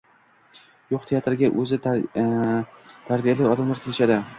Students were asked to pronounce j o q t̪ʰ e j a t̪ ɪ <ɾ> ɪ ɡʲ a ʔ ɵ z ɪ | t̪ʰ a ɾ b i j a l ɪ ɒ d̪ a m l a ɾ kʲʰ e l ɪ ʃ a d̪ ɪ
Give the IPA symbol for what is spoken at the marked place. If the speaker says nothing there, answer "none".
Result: ɾ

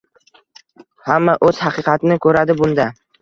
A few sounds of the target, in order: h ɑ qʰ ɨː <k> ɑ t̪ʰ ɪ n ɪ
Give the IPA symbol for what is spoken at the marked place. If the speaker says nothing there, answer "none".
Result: q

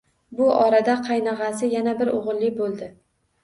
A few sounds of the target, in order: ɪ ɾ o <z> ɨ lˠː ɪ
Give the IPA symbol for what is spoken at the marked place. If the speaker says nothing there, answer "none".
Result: ʁ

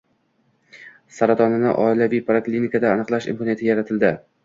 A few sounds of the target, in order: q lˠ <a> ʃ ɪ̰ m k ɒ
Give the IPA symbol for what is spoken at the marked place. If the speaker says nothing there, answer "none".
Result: a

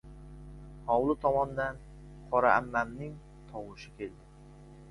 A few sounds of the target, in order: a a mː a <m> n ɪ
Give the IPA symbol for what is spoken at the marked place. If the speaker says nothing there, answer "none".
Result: m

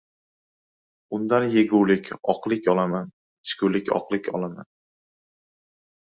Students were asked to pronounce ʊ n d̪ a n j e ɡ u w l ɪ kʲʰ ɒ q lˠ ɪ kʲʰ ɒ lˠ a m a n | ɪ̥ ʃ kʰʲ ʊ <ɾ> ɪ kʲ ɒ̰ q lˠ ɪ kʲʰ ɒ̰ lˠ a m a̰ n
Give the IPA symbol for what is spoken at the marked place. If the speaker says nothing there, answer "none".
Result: l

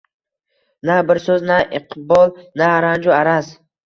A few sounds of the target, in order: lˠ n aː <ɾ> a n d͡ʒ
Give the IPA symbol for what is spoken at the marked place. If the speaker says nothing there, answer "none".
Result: ɾ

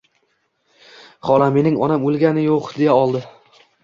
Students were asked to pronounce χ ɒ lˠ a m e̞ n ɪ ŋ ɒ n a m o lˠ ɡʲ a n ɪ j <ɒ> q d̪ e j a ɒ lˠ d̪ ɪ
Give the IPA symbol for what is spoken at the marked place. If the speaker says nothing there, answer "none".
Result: o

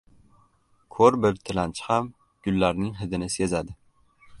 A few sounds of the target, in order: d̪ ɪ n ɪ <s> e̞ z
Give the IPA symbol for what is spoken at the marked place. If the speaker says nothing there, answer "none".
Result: s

